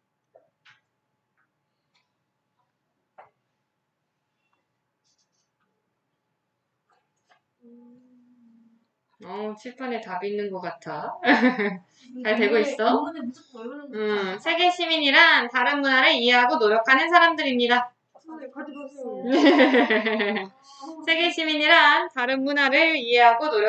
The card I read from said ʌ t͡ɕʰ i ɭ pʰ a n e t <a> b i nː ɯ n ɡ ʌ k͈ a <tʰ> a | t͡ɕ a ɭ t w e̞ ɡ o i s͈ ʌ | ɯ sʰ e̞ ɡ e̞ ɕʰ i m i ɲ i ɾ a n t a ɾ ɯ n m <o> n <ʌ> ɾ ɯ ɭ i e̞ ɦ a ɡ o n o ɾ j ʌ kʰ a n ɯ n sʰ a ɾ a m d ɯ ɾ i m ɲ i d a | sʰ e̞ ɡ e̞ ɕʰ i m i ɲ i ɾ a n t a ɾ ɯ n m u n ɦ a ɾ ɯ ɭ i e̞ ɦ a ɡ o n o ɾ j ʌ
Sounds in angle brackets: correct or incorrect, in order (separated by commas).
correct, correct, incorrect, incorrect